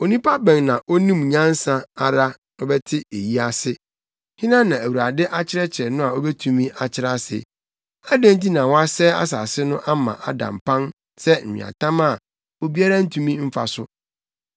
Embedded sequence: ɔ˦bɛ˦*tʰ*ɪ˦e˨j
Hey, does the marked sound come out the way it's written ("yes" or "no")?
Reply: yes